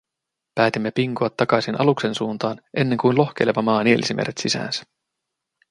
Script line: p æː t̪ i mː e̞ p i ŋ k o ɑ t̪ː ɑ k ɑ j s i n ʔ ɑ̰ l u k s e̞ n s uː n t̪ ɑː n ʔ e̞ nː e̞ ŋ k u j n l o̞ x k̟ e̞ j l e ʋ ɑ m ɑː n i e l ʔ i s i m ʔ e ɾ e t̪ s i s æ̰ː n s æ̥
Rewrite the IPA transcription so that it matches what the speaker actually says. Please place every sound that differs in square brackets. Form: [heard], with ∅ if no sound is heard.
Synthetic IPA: p æː t̪ i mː e̞ p i ŋ k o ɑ t̪ː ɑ k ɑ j s i n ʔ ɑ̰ l u k s e̞ n s uː n t̪ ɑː n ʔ e̞ nː e̞ ŋ k u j n l o̞ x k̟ e̞ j l e ʋ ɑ m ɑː n i e l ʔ i s i m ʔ e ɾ e t̪ s i s æ̰ː n s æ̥